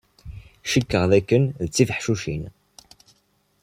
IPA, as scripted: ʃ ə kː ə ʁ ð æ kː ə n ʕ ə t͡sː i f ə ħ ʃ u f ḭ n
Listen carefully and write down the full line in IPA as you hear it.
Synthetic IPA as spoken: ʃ ə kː ə ʁ ð æ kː ə n ð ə t͡sː i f ə ħ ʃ u ʃ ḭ n